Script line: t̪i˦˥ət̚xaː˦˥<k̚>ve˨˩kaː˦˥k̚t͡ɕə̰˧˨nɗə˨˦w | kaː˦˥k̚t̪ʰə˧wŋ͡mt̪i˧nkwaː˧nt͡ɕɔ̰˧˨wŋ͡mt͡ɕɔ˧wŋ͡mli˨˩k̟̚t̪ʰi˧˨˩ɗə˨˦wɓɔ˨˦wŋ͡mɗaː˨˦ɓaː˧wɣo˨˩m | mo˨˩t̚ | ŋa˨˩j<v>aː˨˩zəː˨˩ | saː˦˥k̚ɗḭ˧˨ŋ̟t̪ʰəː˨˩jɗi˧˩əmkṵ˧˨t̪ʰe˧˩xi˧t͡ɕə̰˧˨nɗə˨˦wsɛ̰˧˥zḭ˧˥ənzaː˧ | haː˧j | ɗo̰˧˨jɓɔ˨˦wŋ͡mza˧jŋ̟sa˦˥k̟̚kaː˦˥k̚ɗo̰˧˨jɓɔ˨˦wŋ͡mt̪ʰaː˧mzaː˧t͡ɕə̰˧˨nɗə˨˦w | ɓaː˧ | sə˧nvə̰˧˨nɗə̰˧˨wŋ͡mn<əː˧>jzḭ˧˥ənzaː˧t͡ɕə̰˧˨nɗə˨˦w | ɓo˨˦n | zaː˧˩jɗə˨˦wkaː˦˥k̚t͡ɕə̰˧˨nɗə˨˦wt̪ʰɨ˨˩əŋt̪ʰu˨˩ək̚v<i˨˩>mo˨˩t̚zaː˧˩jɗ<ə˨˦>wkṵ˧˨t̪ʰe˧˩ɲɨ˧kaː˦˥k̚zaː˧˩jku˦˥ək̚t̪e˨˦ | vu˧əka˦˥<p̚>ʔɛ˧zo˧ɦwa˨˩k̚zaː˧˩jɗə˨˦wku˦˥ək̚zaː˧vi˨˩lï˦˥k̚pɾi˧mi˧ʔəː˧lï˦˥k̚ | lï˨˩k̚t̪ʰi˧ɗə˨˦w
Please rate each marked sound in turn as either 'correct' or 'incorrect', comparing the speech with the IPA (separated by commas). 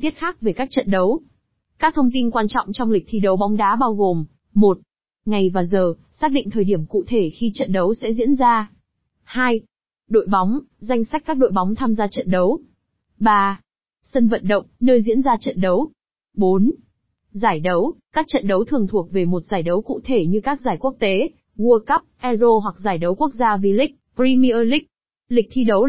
correct, correct, correct, incorrect, correct, correct